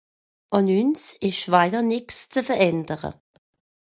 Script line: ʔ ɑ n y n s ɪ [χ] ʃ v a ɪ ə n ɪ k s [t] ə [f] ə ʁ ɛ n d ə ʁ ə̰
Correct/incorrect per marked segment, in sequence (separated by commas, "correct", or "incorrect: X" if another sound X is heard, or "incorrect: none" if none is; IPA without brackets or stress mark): incorrect: ʃ, incorrect: t͡s, correct